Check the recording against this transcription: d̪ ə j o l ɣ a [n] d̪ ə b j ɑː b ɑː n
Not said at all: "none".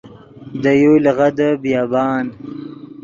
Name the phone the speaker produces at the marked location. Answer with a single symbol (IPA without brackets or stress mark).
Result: none